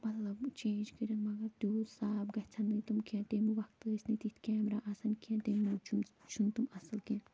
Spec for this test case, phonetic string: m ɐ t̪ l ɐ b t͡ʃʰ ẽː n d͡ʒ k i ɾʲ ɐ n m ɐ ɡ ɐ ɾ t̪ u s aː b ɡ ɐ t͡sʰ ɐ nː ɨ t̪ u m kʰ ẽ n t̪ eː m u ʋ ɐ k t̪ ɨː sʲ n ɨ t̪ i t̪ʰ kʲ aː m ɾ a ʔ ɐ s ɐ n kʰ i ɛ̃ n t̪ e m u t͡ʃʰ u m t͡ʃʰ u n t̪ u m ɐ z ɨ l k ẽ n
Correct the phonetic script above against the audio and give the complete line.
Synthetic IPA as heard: m ɐ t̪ l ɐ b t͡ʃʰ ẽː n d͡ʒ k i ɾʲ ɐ n m ɐ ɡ ɐ ɾ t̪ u s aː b ɡ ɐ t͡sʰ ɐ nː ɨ t̪ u m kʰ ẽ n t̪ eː m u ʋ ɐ k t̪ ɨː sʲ n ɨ t̪ i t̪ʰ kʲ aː m ɾ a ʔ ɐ s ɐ n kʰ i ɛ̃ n t̪ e m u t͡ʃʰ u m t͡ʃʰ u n t̪ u m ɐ s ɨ l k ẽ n